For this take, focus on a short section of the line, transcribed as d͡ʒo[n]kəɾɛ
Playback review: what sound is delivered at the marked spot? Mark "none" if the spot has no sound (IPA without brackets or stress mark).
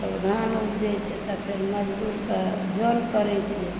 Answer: n